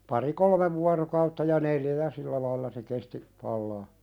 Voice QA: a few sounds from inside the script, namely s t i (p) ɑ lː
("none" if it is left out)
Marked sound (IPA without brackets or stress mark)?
p